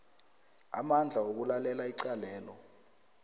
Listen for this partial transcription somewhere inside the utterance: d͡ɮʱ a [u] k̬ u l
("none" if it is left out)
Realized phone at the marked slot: o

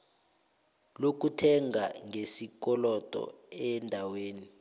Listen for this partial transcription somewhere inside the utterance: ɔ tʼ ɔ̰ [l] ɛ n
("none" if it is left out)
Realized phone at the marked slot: none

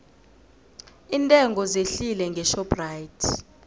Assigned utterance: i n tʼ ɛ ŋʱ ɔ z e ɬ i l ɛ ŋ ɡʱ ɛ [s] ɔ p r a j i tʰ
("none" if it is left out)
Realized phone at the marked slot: ʃ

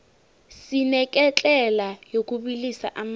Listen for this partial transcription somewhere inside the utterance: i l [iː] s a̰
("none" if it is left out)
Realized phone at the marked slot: i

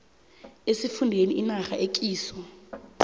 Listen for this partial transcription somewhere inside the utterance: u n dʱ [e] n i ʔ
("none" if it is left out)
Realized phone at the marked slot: e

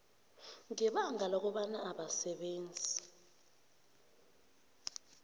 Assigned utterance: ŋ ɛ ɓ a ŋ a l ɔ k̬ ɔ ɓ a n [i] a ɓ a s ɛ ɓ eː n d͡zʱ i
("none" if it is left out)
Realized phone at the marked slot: a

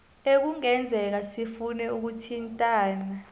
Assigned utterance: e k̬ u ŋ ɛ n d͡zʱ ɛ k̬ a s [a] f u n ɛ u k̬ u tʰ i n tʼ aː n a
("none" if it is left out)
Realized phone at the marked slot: i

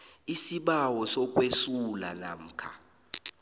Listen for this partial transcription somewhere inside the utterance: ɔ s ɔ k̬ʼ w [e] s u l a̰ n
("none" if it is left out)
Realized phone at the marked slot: e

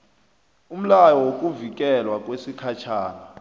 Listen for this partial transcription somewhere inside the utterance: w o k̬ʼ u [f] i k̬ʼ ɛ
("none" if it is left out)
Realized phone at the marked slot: v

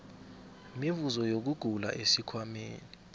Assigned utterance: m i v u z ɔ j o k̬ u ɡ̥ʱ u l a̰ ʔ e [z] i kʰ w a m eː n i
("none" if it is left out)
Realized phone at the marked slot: s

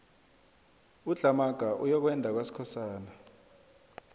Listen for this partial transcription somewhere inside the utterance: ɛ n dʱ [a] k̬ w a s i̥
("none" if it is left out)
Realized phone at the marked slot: a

